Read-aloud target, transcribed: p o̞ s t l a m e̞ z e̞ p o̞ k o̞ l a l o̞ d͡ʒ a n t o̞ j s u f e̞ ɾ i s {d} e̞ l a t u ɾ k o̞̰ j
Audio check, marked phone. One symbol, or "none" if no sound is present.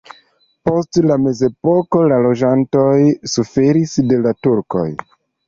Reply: d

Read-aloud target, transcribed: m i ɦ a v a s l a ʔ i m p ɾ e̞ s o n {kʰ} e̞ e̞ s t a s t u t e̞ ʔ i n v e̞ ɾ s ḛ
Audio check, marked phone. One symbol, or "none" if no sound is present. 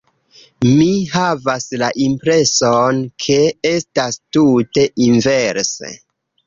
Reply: kʰ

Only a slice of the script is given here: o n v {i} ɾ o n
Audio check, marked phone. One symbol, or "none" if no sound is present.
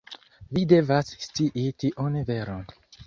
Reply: e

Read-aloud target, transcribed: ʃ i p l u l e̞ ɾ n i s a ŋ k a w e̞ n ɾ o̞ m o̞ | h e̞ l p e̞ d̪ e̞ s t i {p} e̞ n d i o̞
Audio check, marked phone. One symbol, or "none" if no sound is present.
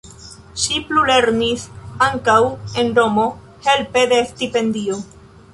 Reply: p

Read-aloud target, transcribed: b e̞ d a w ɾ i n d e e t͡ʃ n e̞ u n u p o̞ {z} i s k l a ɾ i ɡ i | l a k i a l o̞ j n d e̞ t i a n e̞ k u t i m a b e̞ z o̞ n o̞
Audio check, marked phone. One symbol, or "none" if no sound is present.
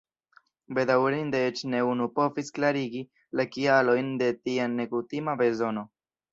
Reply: v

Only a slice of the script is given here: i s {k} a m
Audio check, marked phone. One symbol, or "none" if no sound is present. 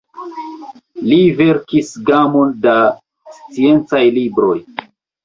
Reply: ɡ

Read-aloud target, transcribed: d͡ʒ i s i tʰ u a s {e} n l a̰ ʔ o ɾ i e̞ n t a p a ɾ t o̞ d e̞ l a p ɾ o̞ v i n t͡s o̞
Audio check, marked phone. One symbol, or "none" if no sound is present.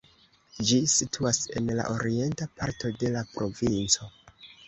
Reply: e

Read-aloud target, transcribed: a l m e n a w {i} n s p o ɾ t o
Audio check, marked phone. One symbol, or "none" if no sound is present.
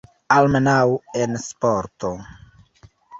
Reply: e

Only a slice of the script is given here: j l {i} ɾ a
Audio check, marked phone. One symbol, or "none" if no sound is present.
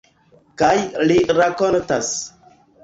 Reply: i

